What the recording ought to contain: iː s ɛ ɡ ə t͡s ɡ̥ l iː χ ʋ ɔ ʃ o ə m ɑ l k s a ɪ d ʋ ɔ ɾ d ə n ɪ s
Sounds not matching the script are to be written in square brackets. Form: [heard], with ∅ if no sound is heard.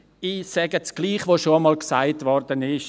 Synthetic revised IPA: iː s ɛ ɡ ə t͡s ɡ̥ l iː χ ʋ [o] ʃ o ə m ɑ l k s a ɪ [t] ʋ ɔ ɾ d ə n ɪ [ʃ]